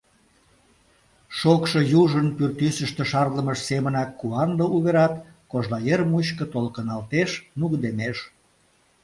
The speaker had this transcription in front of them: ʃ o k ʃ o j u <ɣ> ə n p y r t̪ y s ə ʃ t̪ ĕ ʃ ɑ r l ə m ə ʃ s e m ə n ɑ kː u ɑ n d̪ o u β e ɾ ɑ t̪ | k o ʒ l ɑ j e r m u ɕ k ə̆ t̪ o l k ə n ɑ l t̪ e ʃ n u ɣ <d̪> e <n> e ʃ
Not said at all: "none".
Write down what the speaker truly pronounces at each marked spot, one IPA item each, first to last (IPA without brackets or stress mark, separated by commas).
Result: ʒ, d̪, m